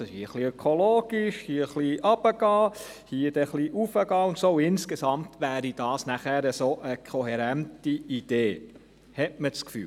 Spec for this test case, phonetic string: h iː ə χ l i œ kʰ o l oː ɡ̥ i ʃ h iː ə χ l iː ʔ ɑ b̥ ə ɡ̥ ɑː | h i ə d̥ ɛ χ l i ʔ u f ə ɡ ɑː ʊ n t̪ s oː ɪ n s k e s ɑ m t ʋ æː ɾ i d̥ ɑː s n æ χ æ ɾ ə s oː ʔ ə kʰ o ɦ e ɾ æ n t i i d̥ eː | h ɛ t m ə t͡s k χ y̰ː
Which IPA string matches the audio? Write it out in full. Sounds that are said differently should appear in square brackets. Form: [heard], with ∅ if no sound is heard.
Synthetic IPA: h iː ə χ l i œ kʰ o l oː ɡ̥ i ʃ h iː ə χ l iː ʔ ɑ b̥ ə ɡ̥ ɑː | h i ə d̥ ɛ χ l i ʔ u f ə ɡ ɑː ʊ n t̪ s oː ɪ n s k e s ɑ m t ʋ æː ɾ i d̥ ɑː s n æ χ æ ɾ ə s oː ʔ ə kʰ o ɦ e ɾ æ n t i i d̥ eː | h ɛ t m ə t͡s k [f] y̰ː